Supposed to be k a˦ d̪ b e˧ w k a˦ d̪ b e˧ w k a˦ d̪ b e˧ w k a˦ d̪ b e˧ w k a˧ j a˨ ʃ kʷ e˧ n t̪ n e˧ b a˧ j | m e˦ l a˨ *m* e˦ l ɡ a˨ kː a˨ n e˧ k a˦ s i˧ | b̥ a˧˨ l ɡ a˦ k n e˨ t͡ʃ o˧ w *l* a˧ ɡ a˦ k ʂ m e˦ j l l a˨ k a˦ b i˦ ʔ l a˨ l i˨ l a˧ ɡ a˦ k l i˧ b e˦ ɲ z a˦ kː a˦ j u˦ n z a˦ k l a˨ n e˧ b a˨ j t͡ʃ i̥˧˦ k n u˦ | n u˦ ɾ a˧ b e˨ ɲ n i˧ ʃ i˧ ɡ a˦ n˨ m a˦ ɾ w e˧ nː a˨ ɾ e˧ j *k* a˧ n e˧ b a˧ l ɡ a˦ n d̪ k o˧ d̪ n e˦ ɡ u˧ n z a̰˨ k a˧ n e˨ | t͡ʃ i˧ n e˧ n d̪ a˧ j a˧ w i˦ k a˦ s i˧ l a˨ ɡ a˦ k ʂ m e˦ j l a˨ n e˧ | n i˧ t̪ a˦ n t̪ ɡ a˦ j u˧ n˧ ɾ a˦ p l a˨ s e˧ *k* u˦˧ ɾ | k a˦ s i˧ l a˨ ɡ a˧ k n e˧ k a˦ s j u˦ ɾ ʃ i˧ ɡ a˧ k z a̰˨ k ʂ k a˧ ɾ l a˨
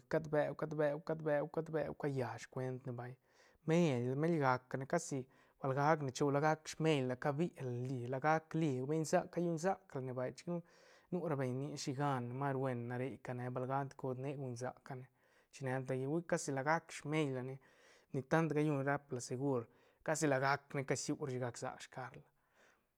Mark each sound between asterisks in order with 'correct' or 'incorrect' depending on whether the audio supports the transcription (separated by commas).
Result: correct, correct, correct, incorrect